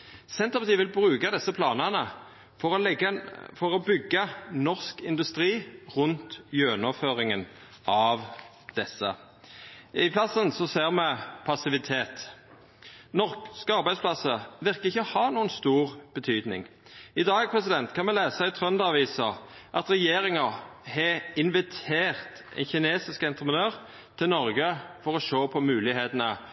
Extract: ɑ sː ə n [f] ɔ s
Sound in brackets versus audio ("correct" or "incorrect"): incorrect